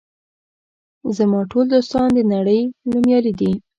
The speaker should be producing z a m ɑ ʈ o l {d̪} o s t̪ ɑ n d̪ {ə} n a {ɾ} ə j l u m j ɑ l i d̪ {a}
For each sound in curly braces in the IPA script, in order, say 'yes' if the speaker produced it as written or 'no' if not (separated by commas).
yes, yes, no, no